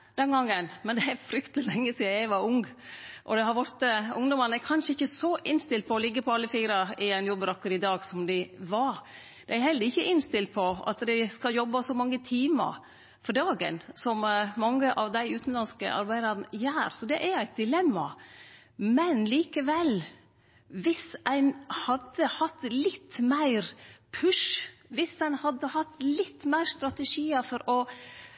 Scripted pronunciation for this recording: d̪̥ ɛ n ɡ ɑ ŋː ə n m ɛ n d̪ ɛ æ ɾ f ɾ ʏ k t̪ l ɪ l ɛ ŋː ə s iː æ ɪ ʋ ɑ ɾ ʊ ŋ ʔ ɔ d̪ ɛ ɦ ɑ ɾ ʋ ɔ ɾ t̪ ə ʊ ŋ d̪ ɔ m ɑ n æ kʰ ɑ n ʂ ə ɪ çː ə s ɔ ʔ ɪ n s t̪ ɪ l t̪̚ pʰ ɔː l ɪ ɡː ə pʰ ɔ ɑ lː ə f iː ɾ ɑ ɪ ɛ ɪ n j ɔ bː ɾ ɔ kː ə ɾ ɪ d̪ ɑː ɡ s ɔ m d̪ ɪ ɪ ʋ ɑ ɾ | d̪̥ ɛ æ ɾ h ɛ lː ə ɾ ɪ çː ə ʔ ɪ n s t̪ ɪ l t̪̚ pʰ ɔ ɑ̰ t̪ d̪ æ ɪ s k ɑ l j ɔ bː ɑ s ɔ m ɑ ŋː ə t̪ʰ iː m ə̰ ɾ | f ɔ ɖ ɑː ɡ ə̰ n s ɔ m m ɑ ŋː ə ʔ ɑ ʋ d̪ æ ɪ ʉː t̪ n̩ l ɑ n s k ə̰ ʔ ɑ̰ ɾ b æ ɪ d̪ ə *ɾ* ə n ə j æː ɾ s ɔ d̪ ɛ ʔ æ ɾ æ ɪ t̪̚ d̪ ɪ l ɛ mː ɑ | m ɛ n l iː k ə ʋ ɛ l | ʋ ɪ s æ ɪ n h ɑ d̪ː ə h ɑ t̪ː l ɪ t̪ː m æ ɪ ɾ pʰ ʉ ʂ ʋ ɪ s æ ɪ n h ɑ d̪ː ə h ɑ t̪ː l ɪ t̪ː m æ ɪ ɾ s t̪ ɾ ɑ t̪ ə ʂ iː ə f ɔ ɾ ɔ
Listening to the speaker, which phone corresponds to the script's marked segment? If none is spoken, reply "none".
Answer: ɾ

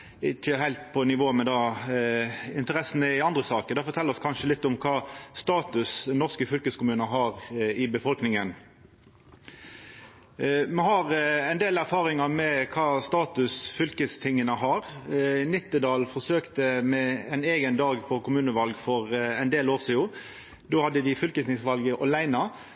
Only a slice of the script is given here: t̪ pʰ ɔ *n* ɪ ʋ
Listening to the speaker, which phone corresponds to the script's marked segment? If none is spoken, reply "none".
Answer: n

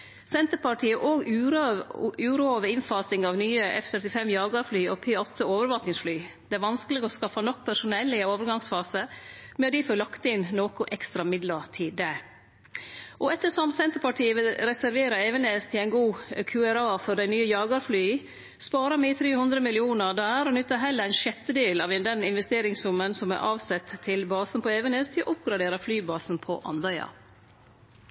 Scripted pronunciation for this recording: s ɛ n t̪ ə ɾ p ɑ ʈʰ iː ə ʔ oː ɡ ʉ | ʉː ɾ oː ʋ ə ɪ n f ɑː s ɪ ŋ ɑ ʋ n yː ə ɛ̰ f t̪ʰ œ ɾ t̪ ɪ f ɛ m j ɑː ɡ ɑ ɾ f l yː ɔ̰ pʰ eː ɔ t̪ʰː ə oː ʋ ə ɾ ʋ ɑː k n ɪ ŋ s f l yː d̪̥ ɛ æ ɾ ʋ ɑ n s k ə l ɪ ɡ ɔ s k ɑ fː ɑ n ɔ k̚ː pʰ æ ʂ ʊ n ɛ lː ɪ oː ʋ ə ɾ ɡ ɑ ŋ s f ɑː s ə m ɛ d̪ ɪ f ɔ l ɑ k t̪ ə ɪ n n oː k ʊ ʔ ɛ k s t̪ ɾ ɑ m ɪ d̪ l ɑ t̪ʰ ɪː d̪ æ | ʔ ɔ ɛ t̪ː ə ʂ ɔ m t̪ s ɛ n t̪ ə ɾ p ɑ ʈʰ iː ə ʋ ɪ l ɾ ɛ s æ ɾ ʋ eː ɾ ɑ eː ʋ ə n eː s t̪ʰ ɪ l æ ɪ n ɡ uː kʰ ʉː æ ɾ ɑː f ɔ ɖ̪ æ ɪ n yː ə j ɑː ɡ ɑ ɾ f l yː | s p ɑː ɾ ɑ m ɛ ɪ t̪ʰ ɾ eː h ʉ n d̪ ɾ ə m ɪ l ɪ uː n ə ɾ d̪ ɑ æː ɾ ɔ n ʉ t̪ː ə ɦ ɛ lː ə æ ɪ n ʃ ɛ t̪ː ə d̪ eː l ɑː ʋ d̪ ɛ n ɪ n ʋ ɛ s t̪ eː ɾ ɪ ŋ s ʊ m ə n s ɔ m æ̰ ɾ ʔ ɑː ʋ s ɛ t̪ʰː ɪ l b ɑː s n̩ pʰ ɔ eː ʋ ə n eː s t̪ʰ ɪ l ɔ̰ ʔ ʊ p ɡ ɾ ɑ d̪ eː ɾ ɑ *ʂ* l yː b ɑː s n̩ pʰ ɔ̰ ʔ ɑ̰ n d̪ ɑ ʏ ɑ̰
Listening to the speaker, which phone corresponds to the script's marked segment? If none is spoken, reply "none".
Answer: f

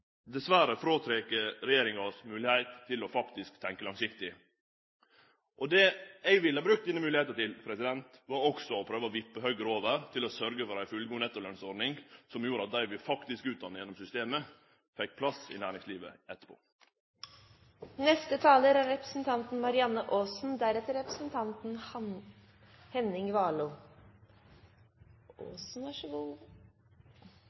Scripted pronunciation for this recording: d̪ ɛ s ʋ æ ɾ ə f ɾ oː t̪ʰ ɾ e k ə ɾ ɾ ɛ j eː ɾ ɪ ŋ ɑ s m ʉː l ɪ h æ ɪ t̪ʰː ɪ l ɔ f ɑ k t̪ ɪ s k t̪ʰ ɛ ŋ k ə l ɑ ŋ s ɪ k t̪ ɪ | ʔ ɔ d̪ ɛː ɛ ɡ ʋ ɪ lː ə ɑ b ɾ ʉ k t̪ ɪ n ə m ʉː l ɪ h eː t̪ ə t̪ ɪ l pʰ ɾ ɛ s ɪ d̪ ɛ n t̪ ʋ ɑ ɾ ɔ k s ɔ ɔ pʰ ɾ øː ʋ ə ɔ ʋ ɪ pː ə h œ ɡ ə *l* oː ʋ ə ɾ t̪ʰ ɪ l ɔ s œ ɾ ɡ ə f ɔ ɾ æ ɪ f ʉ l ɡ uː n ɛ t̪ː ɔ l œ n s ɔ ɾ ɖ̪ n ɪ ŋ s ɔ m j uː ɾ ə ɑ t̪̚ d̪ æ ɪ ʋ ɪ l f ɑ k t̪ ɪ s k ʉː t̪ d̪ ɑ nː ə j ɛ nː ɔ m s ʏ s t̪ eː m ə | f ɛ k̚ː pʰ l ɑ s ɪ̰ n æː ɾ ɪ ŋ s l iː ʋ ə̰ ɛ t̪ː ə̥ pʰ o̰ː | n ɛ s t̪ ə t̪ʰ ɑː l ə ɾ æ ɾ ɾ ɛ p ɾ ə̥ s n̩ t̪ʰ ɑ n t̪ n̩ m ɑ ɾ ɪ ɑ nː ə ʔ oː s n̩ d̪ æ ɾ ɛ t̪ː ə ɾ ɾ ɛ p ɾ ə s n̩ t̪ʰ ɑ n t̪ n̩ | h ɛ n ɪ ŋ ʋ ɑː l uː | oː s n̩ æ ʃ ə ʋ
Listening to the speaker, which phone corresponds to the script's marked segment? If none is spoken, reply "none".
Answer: ɾ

